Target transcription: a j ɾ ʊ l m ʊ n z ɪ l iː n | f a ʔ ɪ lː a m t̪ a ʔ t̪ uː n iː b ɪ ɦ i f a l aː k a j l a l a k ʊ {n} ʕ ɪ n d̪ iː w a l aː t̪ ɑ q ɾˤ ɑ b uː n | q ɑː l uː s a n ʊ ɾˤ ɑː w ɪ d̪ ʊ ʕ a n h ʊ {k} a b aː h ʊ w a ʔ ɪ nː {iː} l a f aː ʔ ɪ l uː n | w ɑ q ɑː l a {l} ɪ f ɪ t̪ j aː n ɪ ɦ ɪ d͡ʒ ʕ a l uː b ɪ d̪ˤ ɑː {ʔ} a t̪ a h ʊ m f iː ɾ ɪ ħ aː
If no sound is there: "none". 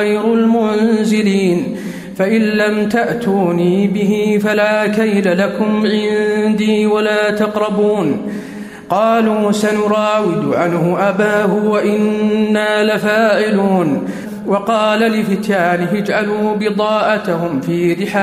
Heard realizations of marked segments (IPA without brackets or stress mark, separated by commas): m, ʔ, aː, l, ʔ